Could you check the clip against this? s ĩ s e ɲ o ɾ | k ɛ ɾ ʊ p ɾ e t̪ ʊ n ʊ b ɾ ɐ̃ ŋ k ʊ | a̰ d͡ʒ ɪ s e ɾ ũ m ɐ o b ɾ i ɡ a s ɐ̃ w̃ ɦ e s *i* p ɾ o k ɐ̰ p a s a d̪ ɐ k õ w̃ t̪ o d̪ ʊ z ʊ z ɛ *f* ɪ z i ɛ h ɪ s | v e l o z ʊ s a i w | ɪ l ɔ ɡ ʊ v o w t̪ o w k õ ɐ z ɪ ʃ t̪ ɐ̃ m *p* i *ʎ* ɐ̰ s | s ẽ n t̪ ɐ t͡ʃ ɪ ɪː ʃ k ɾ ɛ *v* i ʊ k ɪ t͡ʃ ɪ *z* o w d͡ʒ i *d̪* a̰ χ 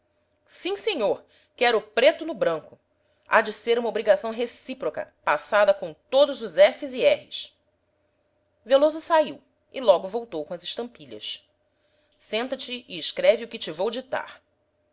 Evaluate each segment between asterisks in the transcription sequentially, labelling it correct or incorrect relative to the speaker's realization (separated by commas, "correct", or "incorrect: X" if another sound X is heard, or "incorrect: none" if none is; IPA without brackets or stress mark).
correct, correct, correct, correct, correct, incorrect: v, incorrect: t̪